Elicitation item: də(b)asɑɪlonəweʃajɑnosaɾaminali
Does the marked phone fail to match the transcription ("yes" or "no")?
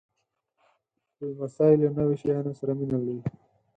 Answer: yes